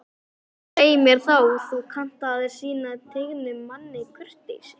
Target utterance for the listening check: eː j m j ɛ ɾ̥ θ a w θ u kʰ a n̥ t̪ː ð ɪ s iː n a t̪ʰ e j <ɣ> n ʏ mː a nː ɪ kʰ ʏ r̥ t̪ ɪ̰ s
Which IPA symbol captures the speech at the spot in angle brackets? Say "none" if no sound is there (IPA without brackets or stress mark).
ɣ